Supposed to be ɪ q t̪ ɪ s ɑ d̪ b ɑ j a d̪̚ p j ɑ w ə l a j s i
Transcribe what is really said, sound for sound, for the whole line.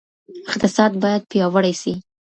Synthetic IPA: ɪ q t̪ ɪ s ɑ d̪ b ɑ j a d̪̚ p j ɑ w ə ɽ a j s i